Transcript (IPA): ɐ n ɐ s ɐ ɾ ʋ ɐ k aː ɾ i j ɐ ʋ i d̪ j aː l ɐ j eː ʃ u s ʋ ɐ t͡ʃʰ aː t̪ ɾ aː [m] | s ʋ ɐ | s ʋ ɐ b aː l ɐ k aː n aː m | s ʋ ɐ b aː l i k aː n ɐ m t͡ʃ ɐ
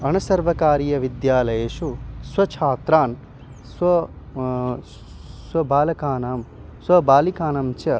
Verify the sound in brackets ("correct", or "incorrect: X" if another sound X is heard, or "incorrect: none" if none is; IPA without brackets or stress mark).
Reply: incorrect: n